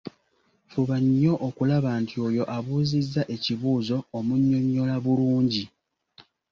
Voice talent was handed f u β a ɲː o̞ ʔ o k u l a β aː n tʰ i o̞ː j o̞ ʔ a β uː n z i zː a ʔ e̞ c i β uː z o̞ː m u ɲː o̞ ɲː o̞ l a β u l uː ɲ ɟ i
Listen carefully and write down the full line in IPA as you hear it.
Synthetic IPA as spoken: f u β a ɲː o̞ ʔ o k u l a β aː n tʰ i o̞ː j o̞ ʔ a β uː z i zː a ʔ e̞ c i β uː z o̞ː m u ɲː o̞ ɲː o̞ l a β u l uː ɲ ɟ i